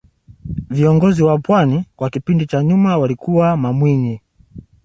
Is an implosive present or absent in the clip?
absent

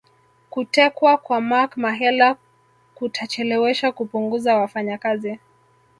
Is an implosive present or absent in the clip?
absent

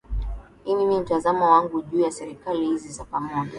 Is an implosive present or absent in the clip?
present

